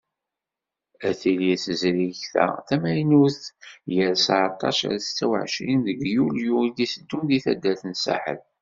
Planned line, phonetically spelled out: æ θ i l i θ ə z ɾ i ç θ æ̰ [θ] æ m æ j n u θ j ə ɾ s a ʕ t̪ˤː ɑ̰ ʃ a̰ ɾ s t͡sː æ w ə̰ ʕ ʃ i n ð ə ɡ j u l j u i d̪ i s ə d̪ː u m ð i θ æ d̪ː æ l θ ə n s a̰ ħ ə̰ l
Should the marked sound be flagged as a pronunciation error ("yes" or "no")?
no